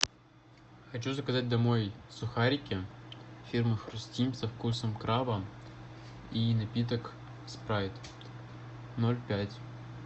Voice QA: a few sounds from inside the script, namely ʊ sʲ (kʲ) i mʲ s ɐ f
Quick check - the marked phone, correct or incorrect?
incorrect